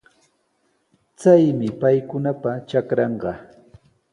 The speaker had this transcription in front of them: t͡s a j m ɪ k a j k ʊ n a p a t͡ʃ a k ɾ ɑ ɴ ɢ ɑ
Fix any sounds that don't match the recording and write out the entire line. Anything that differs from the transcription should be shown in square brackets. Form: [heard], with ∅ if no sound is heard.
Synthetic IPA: t͡s a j m ɪ [p] a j k ʊ n a p a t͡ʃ a k ɾ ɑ ɴ ɢ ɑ